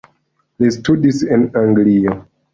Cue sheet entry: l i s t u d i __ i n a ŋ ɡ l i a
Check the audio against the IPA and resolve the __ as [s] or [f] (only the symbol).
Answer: s